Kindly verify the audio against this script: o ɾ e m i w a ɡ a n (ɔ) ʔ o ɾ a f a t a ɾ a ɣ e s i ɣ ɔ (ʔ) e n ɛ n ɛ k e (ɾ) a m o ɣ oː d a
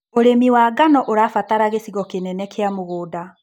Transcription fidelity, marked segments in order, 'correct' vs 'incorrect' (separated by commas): correct, incorrect, incorrect